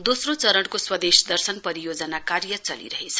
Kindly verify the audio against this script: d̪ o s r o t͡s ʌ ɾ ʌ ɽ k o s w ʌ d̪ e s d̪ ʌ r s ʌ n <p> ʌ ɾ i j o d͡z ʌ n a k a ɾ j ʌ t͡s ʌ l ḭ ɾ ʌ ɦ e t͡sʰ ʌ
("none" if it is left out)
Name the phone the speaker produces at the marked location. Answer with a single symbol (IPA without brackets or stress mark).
p